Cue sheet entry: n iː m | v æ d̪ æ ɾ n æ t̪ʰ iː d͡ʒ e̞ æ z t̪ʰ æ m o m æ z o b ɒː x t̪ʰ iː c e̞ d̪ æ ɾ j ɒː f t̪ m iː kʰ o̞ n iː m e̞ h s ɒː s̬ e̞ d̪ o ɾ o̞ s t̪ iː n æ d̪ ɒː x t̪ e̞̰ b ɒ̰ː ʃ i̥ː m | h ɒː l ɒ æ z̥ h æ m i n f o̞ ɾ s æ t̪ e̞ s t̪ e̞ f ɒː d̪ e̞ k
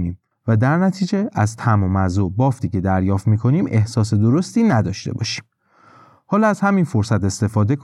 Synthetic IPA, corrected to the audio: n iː m | v æ d̪ æ ɾ n æ t̪ʰ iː d͡ʒ e̞ æ z t̪ʰ æ m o m æ z o b ɒː f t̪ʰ iː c e̞ d̪ æ ɾ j ɒː f t̪ m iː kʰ o̞ n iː m e̞ h s ɒː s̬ e̞ d̪ o ɾ o̞ s t̪ iː n æ d̪ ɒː ʃ t̪ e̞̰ b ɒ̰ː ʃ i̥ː m | h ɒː l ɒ æ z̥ h æ m i n f o̞ ɾ s æ t̪ e̞ s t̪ e̞ f ɒː d̪ e̞ k